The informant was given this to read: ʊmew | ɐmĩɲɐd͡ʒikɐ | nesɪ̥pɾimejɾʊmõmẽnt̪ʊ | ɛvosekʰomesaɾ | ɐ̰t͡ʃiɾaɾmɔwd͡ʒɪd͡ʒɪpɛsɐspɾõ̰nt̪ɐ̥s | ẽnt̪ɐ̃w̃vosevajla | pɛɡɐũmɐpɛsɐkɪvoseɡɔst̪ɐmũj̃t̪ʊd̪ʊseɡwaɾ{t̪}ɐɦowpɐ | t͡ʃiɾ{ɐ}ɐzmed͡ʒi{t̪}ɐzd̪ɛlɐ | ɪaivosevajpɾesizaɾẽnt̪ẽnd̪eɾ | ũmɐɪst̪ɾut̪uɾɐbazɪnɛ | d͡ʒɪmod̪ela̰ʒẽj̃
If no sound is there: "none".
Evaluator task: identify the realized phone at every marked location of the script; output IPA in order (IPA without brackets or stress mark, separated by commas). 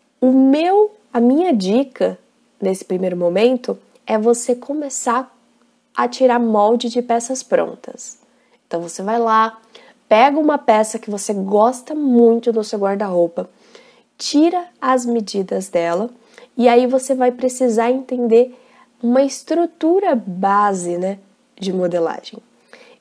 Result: d̪, ɐ, d̪